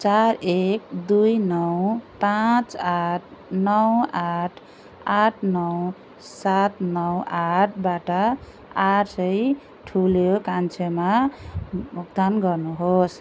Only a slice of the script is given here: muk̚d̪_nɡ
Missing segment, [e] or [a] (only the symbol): a